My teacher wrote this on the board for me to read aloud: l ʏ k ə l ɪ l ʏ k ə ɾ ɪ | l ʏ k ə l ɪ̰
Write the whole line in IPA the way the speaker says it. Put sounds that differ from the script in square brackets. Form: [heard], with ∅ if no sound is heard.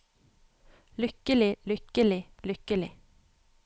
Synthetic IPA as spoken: l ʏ k ə l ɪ l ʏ k ə [l] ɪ | l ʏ k ə l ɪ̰